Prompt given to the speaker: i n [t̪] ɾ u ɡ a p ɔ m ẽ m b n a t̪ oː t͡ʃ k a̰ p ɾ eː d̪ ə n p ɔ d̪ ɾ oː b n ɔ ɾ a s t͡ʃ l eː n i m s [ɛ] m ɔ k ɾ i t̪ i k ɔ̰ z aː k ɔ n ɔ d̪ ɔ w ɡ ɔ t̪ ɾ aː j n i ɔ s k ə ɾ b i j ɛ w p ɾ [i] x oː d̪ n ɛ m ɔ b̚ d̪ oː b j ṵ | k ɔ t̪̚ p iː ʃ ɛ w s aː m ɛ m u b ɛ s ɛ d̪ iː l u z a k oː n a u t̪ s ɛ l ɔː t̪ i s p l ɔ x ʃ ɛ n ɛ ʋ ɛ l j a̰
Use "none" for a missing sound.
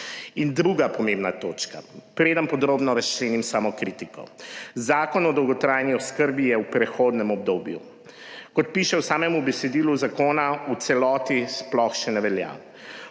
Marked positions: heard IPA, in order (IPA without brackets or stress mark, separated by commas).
d̪, a, ɛ